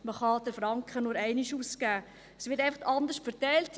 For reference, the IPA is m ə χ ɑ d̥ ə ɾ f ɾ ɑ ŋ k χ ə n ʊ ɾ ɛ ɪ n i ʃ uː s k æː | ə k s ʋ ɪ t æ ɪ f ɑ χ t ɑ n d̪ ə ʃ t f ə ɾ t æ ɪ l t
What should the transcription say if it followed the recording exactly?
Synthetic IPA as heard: m ə χ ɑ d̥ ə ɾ f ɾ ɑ ŋ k χ ə n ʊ ɾ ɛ ɪ n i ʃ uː s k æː | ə s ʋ ɪ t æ ɪ f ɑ χ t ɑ n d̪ ə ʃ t f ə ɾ t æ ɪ l t